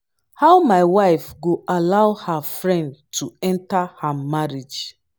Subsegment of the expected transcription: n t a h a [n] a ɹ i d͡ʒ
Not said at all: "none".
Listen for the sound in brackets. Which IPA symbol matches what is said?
m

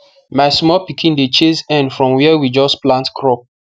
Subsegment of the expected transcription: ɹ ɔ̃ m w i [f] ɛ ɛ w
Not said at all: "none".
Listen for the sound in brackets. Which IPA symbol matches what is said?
none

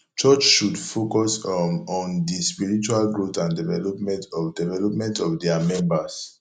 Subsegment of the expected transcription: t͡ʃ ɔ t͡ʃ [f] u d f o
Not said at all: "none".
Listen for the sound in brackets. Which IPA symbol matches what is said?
ʃ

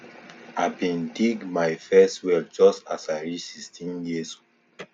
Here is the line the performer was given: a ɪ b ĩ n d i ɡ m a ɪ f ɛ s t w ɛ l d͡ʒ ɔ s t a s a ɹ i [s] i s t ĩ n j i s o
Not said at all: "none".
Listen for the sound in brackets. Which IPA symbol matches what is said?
s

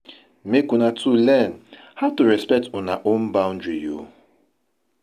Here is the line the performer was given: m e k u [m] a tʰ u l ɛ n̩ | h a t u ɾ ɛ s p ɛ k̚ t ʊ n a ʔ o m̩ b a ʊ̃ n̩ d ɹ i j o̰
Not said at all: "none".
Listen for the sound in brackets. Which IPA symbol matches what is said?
n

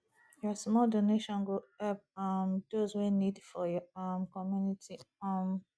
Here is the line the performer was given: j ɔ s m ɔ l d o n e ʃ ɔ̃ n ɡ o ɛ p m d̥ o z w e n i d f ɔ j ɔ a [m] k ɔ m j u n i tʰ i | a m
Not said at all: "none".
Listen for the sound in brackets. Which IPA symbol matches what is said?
m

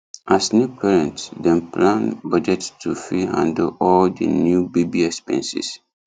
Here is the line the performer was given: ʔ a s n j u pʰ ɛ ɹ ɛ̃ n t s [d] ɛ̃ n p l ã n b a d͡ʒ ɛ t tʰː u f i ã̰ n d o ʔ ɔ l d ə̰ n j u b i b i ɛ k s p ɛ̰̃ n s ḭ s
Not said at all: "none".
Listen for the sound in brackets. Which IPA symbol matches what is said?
d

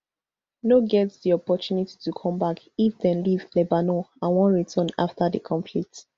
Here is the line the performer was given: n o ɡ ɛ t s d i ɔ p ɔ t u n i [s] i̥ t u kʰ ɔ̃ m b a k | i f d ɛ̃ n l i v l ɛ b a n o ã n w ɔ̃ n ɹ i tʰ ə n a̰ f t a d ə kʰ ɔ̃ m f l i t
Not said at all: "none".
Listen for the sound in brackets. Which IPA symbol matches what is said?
t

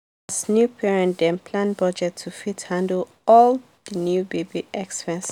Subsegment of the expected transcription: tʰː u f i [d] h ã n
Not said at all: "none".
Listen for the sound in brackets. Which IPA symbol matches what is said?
t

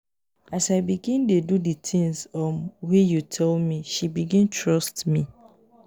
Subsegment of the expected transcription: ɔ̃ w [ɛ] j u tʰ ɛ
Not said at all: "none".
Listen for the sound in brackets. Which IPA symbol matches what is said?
i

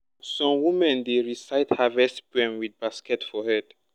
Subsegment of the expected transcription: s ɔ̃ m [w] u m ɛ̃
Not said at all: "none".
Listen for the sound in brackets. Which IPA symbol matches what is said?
w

